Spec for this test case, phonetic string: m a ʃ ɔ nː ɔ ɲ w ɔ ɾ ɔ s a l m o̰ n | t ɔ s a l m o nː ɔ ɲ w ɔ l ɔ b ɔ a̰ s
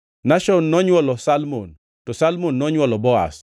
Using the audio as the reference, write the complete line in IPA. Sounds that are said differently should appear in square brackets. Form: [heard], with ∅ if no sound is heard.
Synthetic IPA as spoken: [n] a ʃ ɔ nː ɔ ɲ w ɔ [l] ɔ s a l m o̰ n | t ɔ s a l m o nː ɔ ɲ w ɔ l ɔ b ɔ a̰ s

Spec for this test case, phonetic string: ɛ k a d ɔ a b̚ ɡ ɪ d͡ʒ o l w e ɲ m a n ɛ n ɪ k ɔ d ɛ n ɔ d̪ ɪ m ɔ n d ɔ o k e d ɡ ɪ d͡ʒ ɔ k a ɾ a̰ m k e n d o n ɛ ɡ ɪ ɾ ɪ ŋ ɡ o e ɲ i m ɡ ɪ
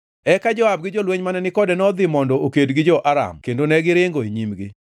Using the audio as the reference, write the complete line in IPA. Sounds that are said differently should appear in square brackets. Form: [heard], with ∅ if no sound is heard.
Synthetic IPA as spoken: ɛ k a [d͡ʒ] ɔ a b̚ ɡ ɪ d͡ʒ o l w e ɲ m a n ɛ n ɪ k ɔ d ɛ n ɔ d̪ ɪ m ɔ n d ɔ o k e d ɡ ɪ d͡ʒ ɔ [ʔ] a ɾ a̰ m k e n d o n ɛ ɡ ɪ ɾ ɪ ŋ ɡ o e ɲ i m ɡ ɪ

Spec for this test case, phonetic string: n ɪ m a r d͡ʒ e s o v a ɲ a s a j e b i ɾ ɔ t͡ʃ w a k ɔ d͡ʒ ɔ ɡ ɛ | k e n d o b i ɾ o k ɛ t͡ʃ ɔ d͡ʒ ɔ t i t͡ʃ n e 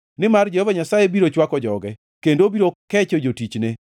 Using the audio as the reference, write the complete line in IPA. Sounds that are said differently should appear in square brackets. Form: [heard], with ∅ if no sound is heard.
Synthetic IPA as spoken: n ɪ m a r d͡ʒ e [h] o v a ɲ a s a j e b i ɾ [o] t͡ʃ w a k ɔ d͡ʒ ɔ ɡ ɛ | k e n d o b i ɾ o k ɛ t͡ʃ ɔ d͡ʒ [o] t i t͡ʃ n e

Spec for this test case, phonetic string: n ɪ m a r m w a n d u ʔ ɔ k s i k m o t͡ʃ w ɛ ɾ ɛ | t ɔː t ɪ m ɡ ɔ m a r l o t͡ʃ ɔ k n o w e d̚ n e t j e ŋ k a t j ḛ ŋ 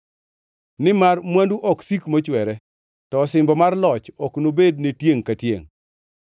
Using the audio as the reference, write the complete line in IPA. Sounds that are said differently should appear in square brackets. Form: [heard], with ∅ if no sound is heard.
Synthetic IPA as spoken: n ɪ m a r m w a n d u ʔ ɔ k s i k m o t͡ʃ w ɛ ɾ ɛ | t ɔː [s] ɪ m [b] ɔ m a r l [ɔ] t͡ʃ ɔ k n o [b] e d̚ n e t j e ŋ k a t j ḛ ŋ

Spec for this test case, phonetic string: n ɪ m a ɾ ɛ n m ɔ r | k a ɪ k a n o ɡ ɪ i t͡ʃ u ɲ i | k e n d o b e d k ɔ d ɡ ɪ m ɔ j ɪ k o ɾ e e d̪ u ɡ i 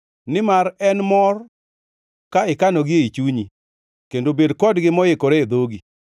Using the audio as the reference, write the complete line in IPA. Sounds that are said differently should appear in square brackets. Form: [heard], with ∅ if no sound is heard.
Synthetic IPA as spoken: n ɪ m a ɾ ɛ n m ɔ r | k a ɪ k a n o ɡ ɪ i t͡ʃ u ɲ i | k e n d o b e d k ɔ d ɡ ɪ m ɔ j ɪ k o ɾ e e d̪ [o] ɡ i

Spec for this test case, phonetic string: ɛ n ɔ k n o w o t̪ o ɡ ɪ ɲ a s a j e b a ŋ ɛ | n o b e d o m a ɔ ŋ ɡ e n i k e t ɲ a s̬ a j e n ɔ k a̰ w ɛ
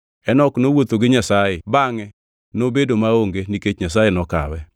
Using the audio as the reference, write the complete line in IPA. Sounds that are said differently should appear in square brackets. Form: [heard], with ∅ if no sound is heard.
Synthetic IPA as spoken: ɛ n ɔ k n o w o t̪ o ɡ ɪ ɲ a s a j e b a ŋ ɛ | n o b e d o m a [o] ŋ ɡ e n i k e [t͡ʃ] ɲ a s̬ a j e n ɔ k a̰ w ɛ

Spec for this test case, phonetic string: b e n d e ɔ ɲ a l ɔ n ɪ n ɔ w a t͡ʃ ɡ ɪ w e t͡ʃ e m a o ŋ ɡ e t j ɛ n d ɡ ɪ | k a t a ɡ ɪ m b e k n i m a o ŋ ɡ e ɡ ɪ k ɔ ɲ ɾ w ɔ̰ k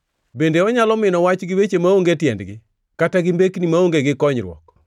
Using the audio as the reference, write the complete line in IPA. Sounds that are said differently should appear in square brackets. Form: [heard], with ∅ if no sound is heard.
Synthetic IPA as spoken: b e n d e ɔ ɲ a l ɔ [m] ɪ n ɔ w a t͡ʃ ɡ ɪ w e t͡ʃ e m a o ŋ ɡ e t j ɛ n d ɡ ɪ | k a t a ɡ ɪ m b e k n i m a o ŋ ɡ e ɡ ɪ k ɔ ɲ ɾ w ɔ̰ k

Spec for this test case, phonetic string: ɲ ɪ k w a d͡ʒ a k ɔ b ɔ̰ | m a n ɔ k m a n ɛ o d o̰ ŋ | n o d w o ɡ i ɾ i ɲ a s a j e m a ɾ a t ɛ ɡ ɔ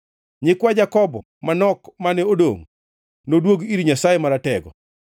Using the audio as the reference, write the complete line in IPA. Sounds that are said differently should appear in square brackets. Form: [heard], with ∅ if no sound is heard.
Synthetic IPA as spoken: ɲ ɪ k w a d͡ʒ a k ɔ b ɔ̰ | m a n ɔ k m a n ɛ o d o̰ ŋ | n o d w o ɡ i ɾ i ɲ a s a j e m a ɾ a t ɛ ɡ ɔ

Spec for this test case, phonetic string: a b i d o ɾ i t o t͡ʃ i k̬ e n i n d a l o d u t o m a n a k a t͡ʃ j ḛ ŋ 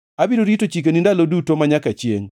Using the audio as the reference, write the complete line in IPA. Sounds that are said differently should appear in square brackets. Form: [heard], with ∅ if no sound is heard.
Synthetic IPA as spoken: a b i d o ɾ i t o t͡ʃ i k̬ e n i n d a l o d u t o m a [ɲ] a k a t͡ʃ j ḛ ŋ

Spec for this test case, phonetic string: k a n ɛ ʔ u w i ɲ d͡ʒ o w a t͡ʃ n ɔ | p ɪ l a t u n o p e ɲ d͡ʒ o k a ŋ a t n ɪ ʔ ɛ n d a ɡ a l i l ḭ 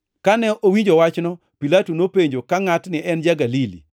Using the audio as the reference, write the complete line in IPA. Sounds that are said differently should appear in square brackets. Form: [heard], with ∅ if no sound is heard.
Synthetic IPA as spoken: k a n ɛ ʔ [o] w i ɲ d͡ʒ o w a t͡ʃ n ɔ | p [i] l a t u n o p e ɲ d͡ʒ o k a ŋ a t n ɪ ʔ ɛ n [d͡ʒ] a ɡ a l i l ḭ

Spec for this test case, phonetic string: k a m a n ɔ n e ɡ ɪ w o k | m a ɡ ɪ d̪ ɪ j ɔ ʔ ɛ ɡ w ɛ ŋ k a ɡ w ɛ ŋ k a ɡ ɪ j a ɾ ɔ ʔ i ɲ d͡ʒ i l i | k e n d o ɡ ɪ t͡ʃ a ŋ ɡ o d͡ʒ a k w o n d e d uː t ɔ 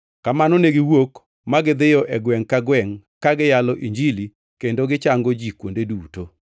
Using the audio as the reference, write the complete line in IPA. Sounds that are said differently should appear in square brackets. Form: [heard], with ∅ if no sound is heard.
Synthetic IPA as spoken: k a m a n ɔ n e ɡ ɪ w o k | m a ɡ ɪ d̪ ɪ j ɔ ʔ ɛ ɡ w ɛ ŋ k a ɡ w ɛ ŋ k a ɡ ɪ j a [l] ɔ ʔ i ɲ d͡ʒ i l i | k e n d o ɡ ɪ t͡ʃ a ŋ ɡ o d͡ʒ [i] k w o n d e d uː t [o]

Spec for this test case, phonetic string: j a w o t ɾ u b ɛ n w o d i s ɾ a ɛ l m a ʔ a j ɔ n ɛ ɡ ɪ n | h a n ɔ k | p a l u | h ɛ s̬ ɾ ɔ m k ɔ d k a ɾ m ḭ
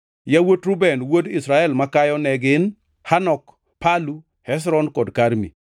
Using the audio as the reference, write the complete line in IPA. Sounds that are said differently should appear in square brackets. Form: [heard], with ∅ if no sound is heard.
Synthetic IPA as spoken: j a w o t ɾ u b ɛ n w o d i s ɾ a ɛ l m a [k] a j ɔ n ɛ ɡ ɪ n | h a n ɔ k | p a l u | h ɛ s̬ ɾ ɔ [n] k ɔ d k a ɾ m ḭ

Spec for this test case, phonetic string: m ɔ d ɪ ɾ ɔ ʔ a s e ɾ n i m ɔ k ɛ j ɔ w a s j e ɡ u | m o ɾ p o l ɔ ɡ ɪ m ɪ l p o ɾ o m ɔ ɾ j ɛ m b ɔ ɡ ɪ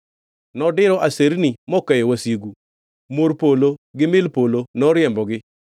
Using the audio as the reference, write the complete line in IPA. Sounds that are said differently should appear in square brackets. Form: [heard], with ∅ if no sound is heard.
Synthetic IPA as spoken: [n] ɔ d ɪ ɾ ɔ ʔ a s e ɾ n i m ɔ k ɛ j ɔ w a s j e ɡ u | m o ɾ p o l [o] ɡ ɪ m ɪ l p o [l] o [n] ɔ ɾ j ɛ m b ɔ ɡ ɪ

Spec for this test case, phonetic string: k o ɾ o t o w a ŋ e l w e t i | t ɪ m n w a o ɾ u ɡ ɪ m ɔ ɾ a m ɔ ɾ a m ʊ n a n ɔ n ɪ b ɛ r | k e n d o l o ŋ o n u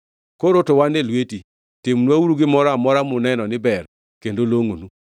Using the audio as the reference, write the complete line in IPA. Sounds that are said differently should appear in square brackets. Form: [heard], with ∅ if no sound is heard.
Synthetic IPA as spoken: k o ɾ o t o w a [n] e l w e t i | t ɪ m n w a [u] ɾ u ɡ ɪ m ɔ ɾ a m ɔ ɾ a m ʊ n [ɛ] n ɔ n ɪ b ɛ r | k e n d o l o ŋ o n u

